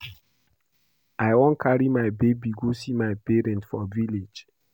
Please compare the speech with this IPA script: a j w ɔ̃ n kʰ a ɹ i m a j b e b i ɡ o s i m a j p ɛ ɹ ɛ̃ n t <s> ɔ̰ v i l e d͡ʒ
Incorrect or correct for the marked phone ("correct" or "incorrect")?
incorrect